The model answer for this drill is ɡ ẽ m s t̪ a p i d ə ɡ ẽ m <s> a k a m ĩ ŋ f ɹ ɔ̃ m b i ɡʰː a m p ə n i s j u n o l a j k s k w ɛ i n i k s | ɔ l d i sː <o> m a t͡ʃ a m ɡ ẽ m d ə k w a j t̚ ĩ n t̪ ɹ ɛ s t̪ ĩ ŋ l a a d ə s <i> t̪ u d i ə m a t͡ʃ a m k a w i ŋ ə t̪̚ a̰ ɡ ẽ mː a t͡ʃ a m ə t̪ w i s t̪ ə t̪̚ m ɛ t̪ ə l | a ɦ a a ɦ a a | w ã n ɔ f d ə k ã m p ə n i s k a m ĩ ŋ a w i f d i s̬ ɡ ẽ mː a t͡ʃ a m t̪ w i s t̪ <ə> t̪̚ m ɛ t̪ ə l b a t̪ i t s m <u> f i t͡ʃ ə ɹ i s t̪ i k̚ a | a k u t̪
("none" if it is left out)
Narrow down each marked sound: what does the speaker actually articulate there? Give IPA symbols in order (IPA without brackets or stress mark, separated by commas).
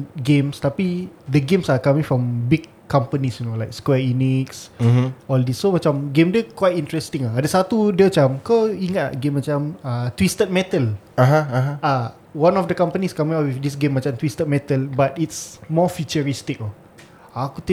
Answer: s, o, a, ə, ɔ